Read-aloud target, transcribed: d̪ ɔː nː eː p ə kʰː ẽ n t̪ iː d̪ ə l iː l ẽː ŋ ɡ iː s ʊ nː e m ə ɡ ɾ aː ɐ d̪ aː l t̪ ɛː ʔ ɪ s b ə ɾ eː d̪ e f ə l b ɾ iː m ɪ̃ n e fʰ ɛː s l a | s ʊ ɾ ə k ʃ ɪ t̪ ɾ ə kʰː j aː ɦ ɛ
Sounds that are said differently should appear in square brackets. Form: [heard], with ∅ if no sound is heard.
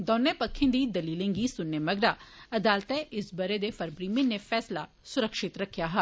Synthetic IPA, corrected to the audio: d̪ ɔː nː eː p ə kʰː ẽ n [d̪] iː d̪ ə l iː l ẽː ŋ ɡ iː s ʊ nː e m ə ɡ ɾ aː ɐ d̪ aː l t̪ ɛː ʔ ɪ s b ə ɾ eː d̪ e f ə [ɾ] b ɾ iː m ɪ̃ n e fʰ ɛː s l a | s ʊ ɾ ə k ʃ ɪ t̪ ɾ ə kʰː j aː ɦ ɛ